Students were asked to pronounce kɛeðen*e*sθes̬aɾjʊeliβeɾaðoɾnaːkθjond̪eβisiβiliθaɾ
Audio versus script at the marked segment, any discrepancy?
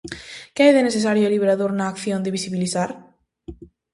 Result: no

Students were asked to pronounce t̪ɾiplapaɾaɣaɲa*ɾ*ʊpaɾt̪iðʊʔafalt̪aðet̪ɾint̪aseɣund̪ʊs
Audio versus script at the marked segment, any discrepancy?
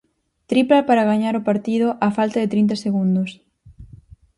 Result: no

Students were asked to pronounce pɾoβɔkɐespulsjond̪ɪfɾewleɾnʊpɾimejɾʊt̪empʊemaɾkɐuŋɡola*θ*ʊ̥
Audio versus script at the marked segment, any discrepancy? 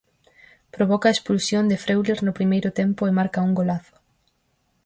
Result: no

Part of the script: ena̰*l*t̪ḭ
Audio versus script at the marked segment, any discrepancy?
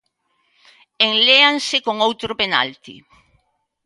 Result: no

